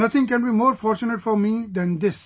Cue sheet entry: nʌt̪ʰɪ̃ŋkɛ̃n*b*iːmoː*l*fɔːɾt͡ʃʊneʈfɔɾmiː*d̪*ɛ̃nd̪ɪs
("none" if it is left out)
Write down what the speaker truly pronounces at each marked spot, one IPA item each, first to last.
b, ɾ, d̪

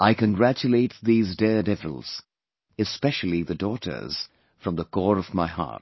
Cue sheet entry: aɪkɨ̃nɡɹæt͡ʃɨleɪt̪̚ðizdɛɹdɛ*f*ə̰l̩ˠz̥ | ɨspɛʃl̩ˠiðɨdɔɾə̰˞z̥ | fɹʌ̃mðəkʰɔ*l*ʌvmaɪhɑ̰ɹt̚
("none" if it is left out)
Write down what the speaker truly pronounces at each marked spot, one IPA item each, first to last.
v, ɹ

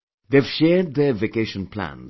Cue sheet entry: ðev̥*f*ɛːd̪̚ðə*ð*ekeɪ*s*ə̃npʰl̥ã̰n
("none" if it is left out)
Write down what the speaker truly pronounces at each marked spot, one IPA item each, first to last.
ʃ, v, ʃ

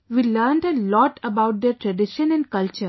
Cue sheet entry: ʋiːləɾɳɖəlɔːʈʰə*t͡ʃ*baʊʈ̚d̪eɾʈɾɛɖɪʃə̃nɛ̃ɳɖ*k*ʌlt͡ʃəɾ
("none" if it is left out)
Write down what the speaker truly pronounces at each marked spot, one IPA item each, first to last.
none, k

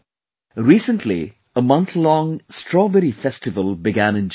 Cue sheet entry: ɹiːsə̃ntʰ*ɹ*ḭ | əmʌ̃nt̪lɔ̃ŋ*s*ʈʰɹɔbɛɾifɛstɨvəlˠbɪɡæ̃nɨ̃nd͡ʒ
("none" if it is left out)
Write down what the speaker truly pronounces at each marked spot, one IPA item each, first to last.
l, s

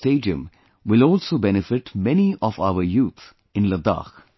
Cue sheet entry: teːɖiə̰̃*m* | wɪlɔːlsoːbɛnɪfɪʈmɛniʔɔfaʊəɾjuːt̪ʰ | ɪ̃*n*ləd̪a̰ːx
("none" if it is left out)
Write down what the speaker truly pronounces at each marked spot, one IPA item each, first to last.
m, n

